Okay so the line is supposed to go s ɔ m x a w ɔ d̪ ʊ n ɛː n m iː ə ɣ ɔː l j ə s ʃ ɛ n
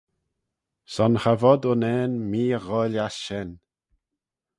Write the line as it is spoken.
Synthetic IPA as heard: s ɔ n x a v ɔ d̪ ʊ n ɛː n m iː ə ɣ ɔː l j a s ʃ ɛ n